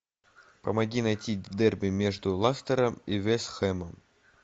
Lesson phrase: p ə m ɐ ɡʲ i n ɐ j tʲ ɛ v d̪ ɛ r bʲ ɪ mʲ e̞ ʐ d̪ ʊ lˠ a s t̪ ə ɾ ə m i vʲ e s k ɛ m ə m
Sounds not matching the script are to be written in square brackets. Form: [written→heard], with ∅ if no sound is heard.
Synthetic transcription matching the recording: p ə m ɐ ɡʲ i n ɐ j tʲ [ɛ→i] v d̪ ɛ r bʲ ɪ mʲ e̞ ʐ d̪ ʊ lˠ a s t̪ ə ɾ ə m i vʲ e s [k→x] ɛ m ə m